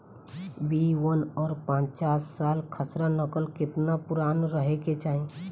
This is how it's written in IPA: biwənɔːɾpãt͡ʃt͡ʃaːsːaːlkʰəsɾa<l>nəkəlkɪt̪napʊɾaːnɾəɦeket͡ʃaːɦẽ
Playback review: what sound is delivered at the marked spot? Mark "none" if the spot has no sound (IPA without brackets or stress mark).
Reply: none